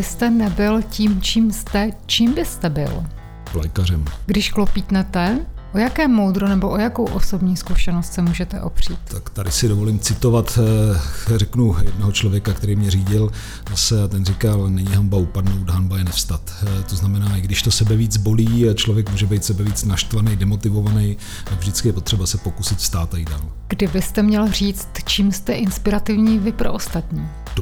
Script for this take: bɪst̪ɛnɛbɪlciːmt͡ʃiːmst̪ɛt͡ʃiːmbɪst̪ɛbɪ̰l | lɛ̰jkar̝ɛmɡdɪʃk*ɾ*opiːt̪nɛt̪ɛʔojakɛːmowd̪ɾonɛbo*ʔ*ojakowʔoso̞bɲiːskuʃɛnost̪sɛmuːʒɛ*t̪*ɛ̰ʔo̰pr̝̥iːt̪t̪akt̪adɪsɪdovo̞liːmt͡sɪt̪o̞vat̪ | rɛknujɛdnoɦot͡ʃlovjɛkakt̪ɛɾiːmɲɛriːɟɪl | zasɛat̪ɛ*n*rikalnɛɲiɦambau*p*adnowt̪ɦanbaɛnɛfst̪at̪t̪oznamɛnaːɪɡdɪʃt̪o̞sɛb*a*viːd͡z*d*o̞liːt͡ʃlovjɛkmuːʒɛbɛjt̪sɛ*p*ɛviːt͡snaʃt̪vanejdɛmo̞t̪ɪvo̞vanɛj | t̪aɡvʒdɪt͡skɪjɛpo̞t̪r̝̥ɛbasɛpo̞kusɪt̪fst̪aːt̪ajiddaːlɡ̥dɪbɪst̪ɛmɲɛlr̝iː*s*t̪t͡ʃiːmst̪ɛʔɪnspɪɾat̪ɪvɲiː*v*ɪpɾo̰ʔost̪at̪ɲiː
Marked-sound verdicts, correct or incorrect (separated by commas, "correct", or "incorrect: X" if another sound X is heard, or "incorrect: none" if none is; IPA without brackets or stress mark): incorrect: l, correct, correct, correct, correct, incorrect: ɛ, incorrect: b, incorrect: b, incorrect: t͡s, correct